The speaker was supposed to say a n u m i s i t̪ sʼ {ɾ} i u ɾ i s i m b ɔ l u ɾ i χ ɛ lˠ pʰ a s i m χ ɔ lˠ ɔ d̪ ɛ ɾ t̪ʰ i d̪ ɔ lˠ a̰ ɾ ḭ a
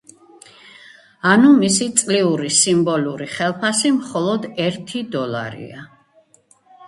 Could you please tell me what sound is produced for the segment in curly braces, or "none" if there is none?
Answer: l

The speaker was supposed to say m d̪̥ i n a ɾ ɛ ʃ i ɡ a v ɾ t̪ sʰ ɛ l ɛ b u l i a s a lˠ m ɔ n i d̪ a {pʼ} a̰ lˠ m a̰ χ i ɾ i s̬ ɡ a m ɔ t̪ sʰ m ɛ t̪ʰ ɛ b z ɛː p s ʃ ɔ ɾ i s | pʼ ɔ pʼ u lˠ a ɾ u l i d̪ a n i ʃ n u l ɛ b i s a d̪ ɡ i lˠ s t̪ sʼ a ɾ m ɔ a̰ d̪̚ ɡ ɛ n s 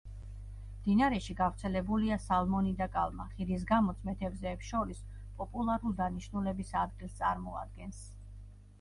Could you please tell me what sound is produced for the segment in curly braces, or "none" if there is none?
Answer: kʼ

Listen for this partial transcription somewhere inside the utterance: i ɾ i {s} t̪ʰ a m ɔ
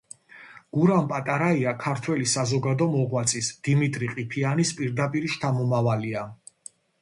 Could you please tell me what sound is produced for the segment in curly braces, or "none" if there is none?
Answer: ʃ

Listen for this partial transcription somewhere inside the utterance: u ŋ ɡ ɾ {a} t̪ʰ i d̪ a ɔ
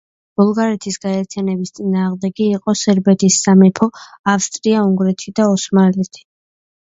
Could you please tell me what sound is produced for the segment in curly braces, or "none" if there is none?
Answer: ɛ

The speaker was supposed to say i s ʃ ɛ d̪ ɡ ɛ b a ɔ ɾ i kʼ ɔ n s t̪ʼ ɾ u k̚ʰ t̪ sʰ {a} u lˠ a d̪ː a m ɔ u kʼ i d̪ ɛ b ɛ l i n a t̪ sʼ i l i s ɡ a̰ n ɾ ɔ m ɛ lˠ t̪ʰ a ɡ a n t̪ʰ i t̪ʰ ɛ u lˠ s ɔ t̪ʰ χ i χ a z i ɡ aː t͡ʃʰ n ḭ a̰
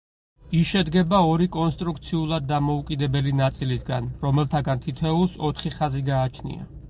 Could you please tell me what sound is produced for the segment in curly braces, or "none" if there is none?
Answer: i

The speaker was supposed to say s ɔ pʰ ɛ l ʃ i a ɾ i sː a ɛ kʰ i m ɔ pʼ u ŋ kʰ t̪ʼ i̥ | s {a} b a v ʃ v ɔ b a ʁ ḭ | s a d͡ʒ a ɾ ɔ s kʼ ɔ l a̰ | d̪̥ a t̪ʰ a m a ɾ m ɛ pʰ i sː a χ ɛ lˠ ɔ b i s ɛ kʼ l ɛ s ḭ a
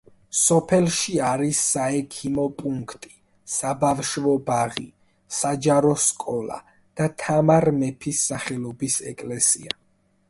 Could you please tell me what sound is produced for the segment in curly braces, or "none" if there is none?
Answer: a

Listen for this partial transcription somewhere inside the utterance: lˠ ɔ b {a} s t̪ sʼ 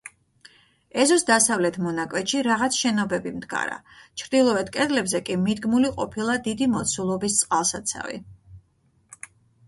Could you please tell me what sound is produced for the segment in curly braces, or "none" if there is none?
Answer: i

